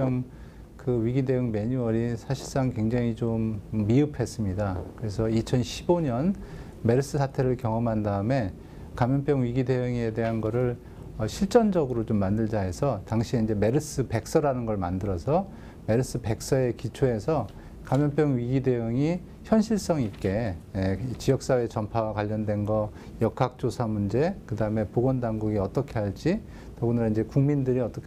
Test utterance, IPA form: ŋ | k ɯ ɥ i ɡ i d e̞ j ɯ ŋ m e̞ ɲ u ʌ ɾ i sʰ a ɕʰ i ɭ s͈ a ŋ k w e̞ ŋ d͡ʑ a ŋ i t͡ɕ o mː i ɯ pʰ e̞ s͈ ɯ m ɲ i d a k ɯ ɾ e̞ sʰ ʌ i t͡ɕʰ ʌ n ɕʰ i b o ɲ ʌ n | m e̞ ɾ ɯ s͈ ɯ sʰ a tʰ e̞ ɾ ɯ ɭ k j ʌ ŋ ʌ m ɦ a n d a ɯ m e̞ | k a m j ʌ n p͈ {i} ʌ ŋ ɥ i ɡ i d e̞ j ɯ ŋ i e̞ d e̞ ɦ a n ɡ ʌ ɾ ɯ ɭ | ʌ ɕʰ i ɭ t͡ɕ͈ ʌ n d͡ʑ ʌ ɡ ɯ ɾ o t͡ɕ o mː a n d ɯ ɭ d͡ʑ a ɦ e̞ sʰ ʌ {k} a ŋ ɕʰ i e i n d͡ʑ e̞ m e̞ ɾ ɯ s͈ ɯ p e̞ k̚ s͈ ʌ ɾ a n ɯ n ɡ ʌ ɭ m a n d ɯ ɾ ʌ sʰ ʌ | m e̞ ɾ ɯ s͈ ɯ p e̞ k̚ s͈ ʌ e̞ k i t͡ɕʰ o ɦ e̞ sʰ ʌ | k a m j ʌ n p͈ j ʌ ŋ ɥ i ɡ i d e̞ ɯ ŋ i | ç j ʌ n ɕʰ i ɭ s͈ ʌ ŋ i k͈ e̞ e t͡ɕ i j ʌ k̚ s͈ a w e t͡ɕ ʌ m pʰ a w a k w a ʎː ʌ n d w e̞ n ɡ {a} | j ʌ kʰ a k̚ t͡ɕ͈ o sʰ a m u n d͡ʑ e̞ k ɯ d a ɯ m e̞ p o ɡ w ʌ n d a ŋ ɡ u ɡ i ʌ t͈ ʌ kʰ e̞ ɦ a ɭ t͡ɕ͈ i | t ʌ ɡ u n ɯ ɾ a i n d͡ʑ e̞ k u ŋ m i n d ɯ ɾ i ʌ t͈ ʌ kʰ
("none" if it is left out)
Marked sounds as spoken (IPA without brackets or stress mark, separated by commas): j, t, ʌ